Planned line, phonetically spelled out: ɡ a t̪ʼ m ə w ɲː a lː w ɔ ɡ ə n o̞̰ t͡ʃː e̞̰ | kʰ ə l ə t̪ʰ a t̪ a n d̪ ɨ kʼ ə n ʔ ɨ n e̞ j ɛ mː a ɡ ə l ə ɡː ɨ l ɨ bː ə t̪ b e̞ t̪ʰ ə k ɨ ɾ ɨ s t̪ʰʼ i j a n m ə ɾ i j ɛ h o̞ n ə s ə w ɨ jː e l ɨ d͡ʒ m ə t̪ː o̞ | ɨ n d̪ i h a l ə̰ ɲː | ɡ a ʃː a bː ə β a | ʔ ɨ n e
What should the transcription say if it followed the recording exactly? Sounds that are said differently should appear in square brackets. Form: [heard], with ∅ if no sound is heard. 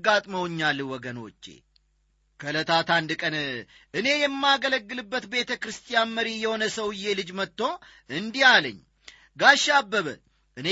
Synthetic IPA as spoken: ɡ a t̪ʼ m ə w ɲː a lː w ɔ ɡ ə n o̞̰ t͡ʃː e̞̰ | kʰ ə l ə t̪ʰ a t̪ a n d̪ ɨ kʼ ə n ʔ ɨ n e̞ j ɛ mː a ɡ ə l ə ɡː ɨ l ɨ bː ə t̪ b e̞ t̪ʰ ə k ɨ ɾ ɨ s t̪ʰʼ i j a n m ə ɾ i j ɛ h o̞ n ə s ə w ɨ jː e l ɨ d͡ʒ m ə t̪ː o̞ | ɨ n d̪ i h a l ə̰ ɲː | ɡ a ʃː a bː ə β [ə] | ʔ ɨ n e